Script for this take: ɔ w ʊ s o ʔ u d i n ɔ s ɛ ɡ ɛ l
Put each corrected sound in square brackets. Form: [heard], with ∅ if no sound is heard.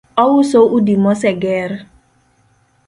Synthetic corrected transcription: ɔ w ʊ s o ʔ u d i [m] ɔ s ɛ ɡ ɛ [ɾ]